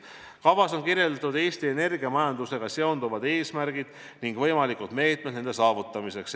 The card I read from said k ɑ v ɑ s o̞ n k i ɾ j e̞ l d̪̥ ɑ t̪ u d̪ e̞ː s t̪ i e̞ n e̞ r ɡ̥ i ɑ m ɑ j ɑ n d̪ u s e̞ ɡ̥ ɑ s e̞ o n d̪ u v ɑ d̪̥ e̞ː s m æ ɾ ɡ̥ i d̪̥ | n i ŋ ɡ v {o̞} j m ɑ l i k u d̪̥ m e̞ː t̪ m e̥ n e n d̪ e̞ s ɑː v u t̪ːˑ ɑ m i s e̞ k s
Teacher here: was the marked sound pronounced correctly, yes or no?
no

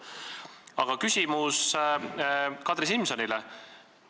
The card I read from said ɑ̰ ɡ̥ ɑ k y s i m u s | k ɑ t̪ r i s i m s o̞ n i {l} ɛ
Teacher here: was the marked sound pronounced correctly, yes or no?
yes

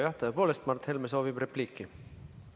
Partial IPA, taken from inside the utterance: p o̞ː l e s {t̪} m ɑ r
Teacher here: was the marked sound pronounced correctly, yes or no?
yes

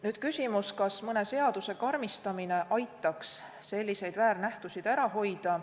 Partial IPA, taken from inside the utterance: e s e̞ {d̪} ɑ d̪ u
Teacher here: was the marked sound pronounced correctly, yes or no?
no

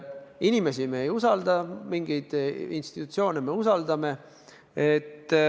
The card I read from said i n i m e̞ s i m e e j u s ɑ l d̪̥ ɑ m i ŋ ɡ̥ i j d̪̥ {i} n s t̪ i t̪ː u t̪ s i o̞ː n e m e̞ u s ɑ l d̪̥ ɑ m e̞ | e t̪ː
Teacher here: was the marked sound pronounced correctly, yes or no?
yes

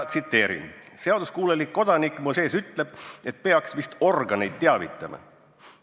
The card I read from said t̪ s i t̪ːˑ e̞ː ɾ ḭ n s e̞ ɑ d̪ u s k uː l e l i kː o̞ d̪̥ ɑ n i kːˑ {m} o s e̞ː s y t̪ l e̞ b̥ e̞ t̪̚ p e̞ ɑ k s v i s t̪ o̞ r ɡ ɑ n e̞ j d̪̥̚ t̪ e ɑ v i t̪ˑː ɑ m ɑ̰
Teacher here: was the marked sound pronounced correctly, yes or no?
yes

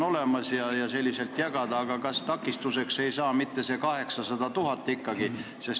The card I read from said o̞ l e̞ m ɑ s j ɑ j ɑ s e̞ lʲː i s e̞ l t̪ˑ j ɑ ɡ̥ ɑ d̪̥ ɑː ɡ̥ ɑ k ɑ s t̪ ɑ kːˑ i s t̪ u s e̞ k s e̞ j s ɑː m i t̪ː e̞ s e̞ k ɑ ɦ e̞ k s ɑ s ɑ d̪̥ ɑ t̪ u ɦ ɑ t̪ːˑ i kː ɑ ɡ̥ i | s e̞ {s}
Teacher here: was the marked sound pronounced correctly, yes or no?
yes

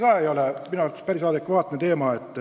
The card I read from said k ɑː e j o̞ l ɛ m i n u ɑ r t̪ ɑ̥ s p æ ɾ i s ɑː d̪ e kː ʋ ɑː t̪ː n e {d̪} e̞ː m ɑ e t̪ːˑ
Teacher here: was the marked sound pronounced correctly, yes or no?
no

